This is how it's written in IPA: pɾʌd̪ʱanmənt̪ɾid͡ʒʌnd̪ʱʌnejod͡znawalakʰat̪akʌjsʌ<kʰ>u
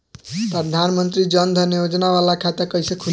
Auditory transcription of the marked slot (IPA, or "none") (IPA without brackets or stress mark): kʰ